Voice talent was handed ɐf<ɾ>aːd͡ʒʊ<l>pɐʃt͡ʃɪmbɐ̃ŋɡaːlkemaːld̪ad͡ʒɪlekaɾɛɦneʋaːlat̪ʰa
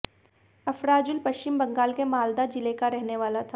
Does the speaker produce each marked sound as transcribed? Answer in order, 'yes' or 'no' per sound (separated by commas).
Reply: yes, yes